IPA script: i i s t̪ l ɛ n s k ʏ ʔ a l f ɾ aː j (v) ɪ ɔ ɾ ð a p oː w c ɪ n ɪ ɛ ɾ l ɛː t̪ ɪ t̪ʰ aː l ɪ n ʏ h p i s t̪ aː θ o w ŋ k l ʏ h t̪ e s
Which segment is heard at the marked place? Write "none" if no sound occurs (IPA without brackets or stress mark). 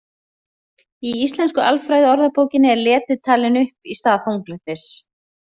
ð